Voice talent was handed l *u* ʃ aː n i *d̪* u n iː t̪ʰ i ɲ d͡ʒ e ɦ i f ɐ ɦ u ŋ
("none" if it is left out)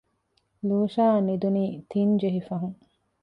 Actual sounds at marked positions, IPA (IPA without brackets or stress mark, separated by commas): uː, d̪